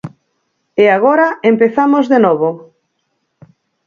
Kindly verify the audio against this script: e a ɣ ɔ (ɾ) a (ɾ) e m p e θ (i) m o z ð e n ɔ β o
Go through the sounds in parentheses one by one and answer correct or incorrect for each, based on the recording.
correct, incorrect: none, incorrect: a

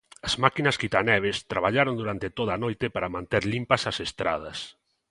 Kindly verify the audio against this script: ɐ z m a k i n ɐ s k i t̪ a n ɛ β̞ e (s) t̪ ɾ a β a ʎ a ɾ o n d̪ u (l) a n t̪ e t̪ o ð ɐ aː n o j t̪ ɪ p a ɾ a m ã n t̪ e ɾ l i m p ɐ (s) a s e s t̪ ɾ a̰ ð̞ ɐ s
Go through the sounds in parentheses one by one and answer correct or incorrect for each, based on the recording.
correct, incorrect: ɾ, correct

